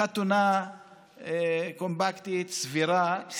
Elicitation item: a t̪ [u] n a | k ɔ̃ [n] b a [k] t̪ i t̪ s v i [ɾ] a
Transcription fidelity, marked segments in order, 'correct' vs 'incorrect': correct, incorrect: m, correct, correct

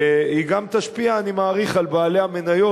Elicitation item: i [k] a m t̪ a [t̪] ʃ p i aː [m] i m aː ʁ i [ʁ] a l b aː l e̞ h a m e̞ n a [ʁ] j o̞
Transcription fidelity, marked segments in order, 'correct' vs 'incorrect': incorrect: ɡ, incorrect: none, incorrect: n, incorrect: χ, incorrect: none

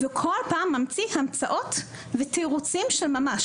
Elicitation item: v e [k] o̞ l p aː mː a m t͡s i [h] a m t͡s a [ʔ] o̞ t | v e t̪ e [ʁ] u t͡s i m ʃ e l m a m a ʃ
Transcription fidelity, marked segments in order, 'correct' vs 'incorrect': incorrect: kʰ, correct, correct, correct

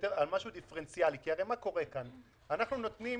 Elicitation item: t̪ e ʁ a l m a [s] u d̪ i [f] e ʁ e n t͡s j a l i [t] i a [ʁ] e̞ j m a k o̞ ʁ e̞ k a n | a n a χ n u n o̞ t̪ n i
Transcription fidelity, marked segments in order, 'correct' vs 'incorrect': incorrect: ʃ, correct, incorrect: k, correct

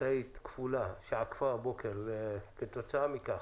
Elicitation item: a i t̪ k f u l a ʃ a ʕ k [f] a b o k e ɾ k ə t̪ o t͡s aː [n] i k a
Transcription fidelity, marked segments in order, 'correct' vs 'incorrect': correct, incorrect: m

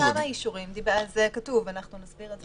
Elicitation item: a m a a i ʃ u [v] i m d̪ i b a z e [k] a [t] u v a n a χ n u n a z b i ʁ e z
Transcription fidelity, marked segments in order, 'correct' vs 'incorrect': incorrect: ʁ, correct, correct

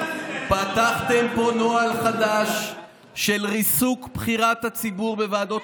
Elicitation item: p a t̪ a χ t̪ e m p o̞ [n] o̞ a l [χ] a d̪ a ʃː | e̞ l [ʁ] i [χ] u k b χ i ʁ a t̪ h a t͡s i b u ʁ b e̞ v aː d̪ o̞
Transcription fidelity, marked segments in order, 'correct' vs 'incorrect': correct, correct, correct, incorrect: s

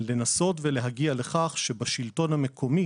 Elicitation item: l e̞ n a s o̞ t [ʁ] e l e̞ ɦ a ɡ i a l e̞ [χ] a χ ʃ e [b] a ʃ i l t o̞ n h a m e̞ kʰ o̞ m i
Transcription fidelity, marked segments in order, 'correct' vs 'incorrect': incorrect: v, correct, correct

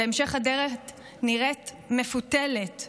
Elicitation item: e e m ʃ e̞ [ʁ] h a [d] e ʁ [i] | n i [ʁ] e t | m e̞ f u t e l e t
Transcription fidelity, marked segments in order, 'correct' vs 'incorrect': incorrect: χ, correct, incorrect: e, correct

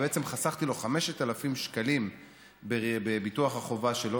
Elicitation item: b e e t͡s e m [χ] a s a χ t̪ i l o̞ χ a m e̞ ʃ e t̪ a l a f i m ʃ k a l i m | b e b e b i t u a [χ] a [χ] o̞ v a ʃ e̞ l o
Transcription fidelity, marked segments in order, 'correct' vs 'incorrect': correct, correct, correct

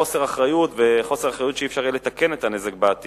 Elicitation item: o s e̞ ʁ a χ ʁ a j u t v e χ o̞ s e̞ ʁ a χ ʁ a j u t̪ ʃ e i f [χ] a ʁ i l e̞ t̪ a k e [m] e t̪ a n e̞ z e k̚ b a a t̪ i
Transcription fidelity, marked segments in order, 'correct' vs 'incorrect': incorrect: ʃ, incorrect: n

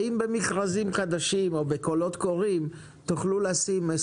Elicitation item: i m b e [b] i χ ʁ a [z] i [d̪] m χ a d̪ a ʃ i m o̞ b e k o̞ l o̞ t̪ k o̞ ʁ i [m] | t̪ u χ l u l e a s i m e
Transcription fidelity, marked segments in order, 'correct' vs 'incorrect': incorrect: m, correct, incorrect: none, correct

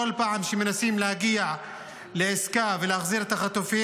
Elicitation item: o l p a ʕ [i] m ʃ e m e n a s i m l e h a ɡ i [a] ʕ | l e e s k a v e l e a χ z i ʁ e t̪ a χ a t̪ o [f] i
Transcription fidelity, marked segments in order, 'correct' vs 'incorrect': incorrect: a, correct, correct

